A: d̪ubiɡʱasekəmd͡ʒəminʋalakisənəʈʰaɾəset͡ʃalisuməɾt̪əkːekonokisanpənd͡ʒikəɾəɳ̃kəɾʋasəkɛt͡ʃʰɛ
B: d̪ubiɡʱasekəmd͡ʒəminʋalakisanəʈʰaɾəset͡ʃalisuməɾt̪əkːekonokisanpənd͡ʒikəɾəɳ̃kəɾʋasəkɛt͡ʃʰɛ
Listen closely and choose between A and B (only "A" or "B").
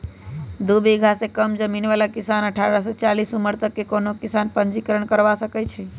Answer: B